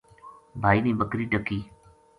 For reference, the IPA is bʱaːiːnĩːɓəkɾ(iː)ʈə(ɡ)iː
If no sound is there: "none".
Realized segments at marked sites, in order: iː, k

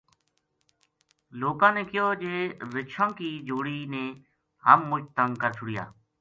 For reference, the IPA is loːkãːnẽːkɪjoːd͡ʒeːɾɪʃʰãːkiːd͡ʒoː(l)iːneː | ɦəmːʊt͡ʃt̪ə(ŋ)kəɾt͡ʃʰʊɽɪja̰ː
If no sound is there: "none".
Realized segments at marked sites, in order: ɽ, ŋ

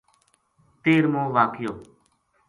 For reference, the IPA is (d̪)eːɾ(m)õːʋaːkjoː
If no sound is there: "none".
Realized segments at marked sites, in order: t̪, m

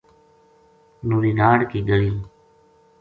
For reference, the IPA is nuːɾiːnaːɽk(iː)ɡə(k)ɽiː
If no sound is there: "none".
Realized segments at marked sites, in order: iː, none

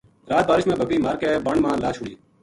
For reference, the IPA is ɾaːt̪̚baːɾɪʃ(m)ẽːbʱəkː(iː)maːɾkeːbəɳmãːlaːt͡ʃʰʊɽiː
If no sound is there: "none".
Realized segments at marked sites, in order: m, iː

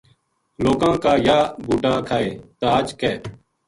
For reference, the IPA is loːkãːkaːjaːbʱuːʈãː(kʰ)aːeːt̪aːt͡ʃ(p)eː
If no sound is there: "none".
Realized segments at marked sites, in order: kʰ, k

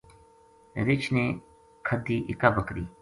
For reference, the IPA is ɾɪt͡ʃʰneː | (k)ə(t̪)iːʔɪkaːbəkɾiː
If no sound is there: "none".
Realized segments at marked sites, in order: kʰ, d̪

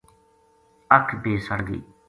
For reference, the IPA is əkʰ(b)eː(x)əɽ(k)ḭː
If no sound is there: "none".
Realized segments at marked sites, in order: b, s, ɡ

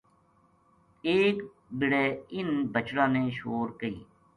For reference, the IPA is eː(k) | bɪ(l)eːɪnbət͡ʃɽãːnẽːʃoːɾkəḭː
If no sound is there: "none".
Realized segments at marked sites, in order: k, ɽ

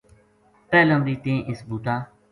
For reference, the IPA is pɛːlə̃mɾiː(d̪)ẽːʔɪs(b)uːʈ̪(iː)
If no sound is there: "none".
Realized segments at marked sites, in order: t̪, b, aː

